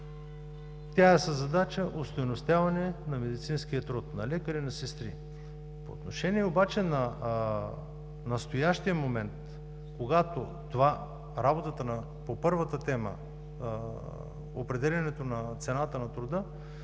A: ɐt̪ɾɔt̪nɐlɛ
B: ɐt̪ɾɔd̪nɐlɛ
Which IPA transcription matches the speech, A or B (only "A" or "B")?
A